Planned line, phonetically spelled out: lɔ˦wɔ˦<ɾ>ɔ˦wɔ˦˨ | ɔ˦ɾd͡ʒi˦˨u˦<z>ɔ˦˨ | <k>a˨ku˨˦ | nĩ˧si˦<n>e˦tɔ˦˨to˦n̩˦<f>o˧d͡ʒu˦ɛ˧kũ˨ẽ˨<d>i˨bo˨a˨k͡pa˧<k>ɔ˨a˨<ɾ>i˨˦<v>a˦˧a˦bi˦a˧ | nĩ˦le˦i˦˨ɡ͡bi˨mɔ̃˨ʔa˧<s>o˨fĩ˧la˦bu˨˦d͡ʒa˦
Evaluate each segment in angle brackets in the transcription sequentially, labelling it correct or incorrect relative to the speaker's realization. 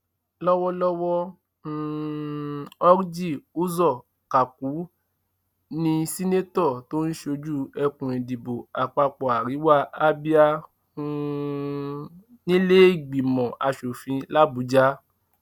incorrect: l, correct, correct, correct, incorrect: ʃ, correct, incorrect: k͡p, correct, incorrect: w, incorrect: ʃ

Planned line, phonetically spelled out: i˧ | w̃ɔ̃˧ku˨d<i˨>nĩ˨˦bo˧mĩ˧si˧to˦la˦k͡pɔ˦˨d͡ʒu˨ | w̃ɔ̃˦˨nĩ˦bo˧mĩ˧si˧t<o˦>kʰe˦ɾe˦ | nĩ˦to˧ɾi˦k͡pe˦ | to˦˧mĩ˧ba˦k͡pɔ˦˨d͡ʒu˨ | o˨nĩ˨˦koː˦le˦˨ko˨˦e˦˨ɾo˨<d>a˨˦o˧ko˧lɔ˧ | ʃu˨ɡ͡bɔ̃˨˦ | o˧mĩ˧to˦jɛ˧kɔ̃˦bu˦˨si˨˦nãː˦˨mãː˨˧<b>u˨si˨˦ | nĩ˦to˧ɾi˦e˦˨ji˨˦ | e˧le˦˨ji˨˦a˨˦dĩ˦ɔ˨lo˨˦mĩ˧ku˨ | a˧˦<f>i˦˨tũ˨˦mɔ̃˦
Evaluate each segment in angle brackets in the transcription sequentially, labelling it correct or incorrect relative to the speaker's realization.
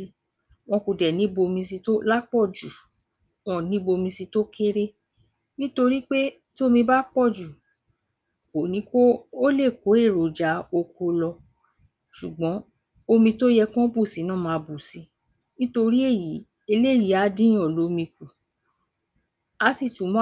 incorrect: ɛ˨, correct, incorrect: d͡ʒ, correct, incorrect: s

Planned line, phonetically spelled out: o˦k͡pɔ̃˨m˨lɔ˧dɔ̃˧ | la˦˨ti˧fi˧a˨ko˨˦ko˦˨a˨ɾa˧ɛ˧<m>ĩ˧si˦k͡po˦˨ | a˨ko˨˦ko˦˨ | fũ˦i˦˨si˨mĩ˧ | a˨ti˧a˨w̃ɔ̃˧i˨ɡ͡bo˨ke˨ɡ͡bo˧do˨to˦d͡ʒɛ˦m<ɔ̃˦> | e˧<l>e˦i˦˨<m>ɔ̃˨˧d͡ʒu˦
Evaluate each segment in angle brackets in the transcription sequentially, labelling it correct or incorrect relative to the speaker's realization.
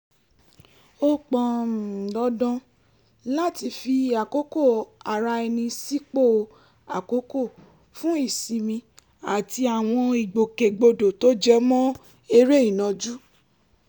incorrect: n, correct, incorrect: ɾ, incorrect: n

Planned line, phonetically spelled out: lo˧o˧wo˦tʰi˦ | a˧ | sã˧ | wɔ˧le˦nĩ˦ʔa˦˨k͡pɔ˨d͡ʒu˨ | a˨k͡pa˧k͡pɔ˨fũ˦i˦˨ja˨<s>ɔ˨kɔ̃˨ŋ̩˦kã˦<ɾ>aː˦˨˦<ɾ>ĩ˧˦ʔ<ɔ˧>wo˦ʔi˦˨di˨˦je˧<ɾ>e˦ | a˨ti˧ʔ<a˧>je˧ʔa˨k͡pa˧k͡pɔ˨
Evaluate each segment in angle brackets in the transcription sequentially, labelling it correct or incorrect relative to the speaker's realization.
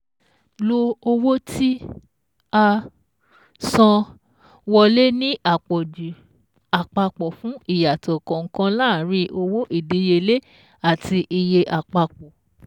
incorrect: t, incorrect: l, correct, incorrect: o˧, incorrect: l, incorrect: i˧

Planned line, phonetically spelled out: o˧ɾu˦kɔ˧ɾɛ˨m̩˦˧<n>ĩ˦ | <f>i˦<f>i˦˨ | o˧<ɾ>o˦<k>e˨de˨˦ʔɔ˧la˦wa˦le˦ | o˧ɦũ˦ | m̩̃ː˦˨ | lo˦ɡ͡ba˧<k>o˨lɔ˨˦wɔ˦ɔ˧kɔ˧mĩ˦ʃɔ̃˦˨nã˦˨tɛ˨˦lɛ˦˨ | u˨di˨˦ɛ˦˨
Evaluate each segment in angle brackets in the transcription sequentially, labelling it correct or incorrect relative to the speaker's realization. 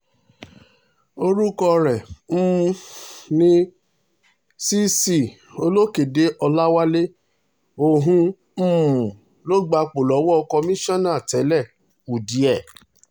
correct, incorrect: s, incorrect: s, incorrect: l, correct, incorrect: k͡p

